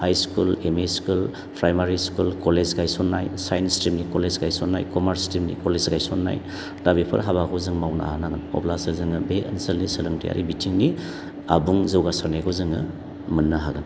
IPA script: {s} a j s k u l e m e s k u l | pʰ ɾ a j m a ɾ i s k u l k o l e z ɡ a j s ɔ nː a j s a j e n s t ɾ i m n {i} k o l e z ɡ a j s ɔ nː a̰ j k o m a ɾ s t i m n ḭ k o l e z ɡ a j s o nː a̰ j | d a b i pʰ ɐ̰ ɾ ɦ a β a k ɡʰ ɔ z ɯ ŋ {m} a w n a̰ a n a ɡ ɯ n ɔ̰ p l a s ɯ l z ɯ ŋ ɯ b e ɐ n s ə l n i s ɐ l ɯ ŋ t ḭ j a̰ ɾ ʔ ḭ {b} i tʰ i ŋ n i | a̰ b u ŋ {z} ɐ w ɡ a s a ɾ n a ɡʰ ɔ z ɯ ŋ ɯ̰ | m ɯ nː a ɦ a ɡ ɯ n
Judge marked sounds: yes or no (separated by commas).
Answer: no, yes, yes, yes, yes